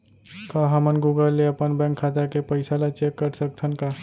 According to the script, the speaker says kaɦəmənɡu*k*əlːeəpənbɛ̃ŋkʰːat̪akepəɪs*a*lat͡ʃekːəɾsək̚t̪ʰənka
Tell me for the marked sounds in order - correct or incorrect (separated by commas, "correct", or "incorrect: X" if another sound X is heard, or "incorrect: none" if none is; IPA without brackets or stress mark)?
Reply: incorrect: ɡ, correct